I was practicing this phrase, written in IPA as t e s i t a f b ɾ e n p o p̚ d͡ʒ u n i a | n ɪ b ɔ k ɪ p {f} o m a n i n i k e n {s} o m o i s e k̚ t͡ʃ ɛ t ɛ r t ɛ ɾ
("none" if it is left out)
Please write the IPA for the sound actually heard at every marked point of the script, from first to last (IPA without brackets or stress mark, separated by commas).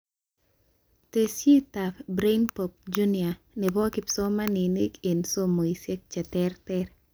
s, s